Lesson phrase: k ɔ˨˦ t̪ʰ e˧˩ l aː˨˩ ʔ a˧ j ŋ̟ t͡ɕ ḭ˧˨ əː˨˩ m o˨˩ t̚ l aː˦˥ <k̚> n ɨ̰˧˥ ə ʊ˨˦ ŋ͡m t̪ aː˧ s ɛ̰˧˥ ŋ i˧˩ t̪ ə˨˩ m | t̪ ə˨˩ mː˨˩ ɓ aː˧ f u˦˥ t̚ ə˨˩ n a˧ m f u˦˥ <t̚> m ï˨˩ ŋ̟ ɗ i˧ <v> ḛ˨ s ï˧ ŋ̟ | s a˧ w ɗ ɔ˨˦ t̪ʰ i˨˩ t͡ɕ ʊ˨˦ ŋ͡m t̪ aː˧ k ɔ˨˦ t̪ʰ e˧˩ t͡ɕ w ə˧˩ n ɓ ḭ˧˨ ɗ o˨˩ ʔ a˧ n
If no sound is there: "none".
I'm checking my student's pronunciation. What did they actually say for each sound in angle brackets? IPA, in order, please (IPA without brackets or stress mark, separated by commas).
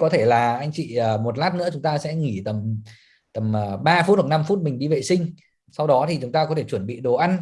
t̚, t̚, v